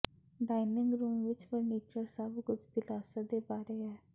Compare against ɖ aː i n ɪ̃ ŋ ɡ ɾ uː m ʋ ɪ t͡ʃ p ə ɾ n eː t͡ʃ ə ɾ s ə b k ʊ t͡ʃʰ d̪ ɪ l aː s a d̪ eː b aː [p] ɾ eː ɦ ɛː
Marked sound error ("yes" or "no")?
yes